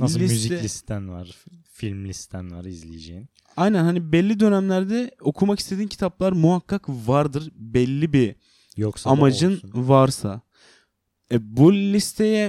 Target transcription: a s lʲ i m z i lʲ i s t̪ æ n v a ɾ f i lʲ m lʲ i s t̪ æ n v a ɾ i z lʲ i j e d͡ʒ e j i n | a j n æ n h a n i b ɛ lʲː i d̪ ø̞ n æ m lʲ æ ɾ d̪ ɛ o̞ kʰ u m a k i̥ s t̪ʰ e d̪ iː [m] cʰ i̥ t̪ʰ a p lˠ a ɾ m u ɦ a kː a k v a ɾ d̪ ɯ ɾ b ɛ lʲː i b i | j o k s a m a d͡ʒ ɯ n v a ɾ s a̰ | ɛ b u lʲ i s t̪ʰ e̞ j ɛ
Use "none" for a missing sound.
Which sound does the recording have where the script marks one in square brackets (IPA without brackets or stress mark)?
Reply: n